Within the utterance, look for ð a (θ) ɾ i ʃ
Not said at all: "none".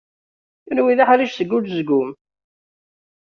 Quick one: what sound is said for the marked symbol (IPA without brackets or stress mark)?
ħ